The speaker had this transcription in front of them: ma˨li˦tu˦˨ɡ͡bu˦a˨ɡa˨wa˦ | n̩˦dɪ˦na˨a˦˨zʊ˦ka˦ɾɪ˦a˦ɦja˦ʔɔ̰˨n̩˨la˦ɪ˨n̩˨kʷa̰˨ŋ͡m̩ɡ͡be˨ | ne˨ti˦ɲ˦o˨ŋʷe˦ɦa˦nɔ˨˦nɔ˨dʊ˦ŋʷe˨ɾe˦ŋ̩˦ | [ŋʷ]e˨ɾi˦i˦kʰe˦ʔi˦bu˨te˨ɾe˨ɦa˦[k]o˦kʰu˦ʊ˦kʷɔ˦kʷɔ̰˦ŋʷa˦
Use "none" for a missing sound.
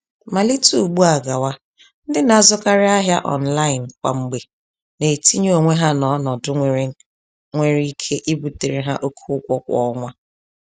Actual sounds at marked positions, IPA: ŋʷ, ʔ

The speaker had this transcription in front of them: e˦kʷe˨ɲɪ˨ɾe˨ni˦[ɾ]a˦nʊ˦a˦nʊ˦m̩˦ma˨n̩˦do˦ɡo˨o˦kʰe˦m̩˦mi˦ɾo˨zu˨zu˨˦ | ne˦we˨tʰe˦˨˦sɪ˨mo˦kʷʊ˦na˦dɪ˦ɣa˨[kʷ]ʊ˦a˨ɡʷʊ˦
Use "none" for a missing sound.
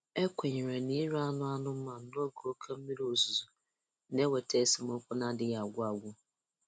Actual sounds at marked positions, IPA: ɾ, ɡʷ

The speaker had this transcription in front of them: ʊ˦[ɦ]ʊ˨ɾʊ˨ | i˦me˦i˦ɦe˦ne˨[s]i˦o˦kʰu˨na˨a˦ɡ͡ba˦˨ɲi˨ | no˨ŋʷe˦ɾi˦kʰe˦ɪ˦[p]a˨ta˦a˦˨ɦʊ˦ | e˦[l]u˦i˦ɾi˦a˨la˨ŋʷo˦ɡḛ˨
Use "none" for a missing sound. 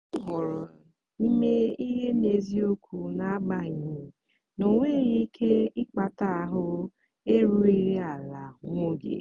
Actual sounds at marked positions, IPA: ɦ, z, k͡p, ɾ

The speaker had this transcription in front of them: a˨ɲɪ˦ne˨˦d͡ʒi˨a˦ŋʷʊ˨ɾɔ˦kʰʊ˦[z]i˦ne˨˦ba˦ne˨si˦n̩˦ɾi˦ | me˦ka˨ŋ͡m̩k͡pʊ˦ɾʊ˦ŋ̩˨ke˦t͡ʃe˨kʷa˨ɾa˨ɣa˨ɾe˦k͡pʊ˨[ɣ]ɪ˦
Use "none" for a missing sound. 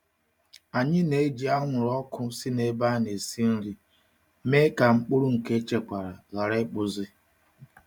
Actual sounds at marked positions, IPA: s, z

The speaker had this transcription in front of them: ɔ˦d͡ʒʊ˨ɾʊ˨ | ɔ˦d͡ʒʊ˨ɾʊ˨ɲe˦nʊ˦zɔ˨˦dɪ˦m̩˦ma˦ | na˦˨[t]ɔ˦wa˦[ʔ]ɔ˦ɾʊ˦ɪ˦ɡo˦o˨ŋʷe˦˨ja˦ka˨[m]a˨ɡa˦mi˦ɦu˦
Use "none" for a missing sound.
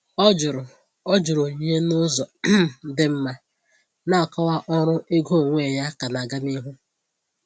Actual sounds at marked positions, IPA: k, ʔ, n

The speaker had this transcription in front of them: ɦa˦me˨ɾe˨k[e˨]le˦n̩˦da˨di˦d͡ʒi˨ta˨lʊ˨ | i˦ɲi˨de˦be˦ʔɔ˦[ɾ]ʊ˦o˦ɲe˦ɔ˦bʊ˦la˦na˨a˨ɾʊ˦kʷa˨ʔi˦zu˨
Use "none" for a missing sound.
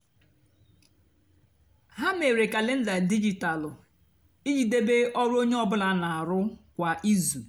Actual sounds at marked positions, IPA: a˨, ɾ

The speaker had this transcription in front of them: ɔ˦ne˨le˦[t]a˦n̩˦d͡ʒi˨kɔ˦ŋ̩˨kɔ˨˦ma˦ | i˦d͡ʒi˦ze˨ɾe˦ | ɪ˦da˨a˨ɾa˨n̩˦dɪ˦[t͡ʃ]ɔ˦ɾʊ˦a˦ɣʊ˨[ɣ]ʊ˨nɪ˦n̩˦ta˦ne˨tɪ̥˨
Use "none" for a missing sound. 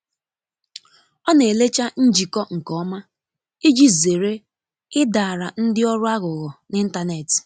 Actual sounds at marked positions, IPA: t͡ʃ, none, ɣ

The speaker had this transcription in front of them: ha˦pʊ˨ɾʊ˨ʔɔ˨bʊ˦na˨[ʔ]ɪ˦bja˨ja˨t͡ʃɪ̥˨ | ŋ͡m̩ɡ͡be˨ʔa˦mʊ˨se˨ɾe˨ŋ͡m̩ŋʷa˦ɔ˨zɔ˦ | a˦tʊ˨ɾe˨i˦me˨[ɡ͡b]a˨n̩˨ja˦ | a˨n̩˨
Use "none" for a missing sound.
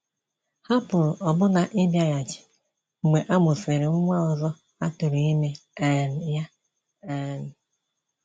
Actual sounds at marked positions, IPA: ʔ, none

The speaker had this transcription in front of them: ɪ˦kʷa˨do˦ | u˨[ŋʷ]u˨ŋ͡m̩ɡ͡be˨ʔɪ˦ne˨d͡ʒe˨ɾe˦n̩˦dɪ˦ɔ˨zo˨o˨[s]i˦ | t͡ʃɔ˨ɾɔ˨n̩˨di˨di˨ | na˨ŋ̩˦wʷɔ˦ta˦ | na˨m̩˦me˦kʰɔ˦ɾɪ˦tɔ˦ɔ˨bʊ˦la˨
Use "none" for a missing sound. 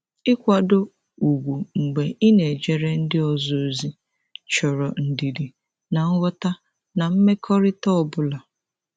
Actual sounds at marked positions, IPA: ɡʷ, z

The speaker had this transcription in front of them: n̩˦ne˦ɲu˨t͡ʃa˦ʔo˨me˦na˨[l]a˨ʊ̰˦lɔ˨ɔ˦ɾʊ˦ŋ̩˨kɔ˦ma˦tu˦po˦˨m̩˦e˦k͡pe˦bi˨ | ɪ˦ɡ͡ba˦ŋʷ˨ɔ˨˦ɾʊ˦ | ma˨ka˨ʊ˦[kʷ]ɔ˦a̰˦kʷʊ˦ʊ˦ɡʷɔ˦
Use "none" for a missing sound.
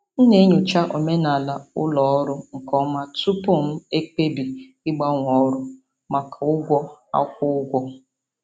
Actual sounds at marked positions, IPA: l, ɡʷ

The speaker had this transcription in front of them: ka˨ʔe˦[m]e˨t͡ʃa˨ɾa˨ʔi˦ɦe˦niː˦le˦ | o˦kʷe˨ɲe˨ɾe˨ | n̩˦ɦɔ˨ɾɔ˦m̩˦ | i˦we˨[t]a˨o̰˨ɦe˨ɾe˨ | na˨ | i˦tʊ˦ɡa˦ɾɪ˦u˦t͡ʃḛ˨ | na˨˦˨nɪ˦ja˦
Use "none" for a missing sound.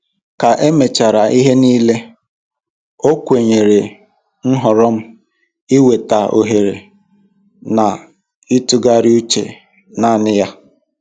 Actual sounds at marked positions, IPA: m, t

